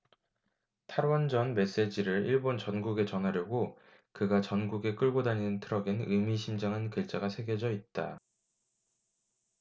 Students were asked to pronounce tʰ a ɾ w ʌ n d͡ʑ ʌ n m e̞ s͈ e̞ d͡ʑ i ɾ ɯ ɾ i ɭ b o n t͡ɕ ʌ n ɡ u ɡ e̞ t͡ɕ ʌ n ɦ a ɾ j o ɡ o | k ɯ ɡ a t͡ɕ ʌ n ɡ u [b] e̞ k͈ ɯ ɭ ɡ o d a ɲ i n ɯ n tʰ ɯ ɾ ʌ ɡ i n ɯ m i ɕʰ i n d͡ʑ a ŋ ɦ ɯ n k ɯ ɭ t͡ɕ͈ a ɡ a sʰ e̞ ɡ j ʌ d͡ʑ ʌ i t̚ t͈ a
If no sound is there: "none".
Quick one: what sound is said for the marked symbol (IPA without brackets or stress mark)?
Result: ɡ